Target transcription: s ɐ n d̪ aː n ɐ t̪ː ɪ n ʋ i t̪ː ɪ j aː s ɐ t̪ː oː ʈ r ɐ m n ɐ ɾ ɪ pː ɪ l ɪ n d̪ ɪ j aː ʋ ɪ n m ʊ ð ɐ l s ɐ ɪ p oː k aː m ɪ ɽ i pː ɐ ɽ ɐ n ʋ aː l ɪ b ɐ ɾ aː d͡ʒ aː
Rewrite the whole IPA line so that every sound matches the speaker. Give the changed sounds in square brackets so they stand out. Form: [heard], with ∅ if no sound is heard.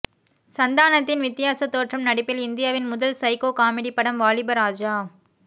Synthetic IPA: s ɐ n d̪ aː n ɐ t̪ː ɪ n ʋ [ɪ] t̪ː ɪ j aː s ɐ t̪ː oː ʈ r ɐ m n ɐ [ɽ] ɪ pː ɪ l ɪ n d̪ ɪ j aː ʋ ɪ n m ʊ ð ɐ l s ɐ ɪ [k] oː k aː m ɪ ɽ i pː ɐ ɽ ɐ [m] ʋ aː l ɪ b ɐ ɾ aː d͡ʒ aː